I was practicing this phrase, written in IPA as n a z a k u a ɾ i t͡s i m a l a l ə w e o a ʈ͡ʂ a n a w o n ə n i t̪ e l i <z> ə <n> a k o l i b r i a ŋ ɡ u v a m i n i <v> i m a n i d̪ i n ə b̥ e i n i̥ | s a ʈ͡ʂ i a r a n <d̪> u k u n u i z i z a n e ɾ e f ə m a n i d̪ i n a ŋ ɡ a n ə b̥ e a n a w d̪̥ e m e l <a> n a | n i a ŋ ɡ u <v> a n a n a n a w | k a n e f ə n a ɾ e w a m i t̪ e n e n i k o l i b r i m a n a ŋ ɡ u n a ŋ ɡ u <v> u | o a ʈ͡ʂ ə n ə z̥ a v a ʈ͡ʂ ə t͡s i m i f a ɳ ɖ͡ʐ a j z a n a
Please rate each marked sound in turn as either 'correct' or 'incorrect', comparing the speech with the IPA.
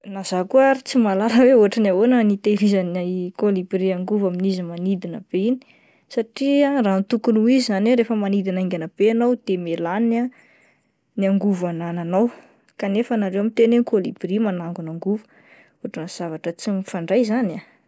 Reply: correct, correct, incorrect: z, incorrect: t̪, correct, correct, correct

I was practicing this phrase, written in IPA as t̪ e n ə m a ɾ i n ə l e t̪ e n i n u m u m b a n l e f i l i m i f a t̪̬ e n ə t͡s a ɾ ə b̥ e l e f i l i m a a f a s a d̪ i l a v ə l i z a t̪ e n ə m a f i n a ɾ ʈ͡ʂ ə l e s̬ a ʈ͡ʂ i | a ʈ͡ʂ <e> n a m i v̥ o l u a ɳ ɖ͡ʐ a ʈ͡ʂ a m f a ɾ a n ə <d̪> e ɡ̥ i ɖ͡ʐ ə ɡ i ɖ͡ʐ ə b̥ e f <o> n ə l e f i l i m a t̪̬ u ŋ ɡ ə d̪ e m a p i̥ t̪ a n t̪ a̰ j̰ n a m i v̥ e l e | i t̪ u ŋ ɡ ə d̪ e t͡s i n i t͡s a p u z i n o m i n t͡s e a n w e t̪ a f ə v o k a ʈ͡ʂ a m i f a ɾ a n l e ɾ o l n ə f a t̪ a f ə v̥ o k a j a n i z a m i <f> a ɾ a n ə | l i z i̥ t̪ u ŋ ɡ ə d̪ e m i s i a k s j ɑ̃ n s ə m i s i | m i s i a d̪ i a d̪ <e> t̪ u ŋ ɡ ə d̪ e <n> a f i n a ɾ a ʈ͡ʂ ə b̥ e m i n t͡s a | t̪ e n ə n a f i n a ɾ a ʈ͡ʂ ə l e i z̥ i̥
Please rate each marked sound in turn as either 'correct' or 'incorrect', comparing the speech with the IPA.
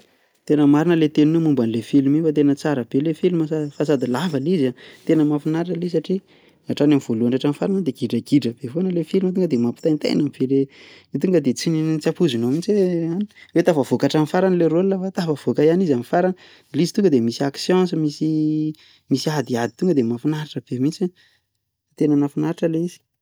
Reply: incorrect: a, correct, correct, correct, incorrect: i, incorrect: m

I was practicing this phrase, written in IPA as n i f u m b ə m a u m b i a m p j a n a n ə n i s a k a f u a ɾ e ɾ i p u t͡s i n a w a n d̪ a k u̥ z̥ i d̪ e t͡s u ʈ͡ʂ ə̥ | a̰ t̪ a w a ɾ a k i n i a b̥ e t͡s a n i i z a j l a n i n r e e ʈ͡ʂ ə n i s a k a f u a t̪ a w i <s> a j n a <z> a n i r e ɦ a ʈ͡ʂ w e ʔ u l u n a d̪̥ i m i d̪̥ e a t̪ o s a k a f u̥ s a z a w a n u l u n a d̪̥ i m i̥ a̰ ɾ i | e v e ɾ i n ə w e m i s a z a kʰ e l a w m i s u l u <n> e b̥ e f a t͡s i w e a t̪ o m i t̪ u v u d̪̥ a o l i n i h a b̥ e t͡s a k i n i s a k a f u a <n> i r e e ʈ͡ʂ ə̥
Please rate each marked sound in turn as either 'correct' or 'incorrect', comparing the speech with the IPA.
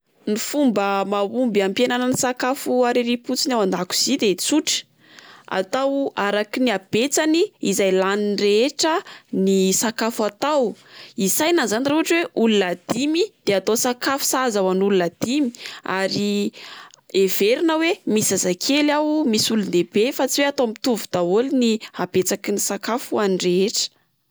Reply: correct, correct, correct, correct

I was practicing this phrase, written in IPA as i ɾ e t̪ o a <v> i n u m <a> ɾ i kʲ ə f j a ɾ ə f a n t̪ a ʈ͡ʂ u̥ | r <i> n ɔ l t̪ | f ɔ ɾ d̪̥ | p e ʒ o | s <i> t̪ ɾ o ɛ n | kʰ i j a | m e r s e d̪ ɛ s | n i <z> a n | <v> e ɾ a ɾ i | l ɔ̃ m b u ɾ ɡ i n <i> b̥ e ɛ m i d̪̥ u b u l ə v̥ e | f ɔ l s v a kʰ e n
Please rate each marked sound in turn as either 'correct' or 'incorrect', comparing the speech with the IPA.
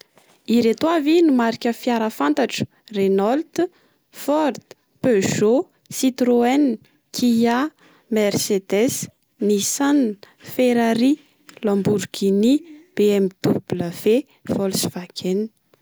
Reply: correct, correct, incorrect: e, correct, incorrect: s, incorrect: f, correct

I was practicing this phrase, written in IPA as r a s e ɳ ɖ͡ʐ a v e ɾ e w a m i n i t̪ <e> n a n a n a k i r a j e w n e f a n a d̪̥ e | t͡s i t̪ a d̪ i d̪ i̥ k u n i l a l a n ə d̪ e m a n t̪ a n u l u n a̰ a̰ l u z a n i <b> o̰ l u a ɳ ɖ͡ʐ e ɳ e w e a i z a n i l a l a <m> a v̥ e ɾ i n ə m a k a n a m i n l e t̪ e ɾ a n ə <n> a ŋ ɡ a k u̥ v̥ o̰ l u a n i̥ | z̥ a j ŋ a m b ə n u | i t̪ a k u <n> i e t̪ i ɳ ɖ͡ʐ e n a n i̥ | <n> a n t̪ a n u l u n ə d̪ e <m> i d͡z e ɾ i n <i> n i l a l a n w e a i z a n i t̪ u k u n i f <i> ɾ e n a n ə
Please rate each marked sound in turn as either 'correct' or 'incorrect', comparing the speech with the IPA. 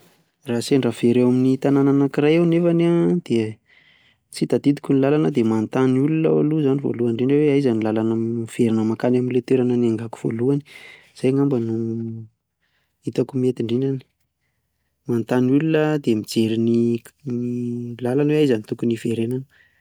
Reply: incorrect: a, incorrect: v, incorrect: n, correct, incorrect: m, incorrect: m, correct, correct, incorrect: e

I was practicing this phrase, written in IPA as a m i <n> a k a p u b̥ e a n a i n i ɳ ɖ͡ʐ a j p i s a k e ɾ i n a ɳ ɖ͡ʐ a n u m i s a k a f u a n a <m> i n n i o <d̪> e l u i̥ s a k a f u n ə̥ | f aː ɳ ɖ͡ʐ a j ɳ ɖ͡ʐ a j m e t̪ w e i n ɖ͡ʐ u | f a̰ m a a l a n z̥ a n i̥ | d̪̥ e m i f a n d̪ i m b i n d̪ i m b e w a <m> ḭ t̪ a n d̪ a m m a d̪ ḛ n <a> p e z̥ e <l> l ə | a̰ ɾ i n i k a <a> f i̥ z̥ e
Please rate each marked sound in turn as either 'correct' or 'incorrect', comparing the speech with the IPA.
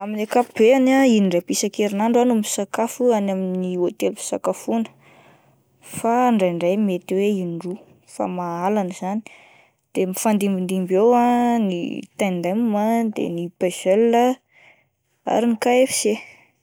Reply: correct, correct, incorrect: t̪, incorrect: n, incorrect: i, correct, incorrect: e

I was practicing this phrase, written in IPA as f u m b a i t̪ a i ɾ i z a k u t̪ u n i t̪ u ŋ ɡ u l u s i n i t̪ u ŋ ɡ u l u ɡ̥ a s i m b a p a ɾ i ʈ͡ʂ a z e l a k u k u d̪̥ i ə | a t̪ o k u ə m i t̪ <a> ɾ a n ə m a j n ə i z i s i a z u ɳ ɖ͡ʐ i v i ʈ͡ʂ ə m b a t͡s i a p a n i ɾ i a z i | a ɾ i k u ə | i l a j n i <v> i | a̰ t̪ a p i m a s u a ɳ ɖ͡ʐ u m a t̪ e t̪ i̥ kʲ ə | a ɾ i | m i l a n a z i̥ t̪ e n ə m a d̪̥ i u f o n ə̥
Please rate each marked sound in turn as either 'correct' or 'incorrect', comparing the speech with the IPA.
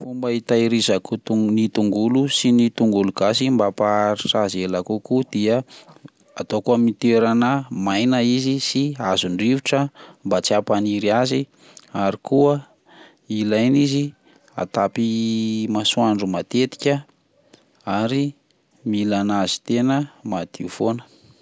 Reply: incorrect: e, incorrect: z

